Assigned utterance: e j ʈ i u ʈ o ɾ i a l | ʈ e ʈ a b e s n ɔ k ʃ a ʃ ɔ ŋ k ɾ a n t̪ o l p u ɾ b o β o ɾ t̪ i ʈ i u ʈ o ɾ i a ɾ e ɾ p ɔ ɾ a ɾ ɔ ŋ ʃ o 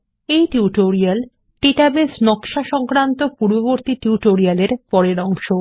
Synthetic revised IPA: e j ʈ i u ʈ o ɾ i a l | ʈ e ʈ a b e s n ɔ k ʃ a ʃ ɔ ŋ k ɾ a n t̪ o p u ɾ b o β o ɾ t̪ i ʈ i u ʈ o ɾ i a l e ɾ p ɔ ɾ e ɾ ɔ ŋ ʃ o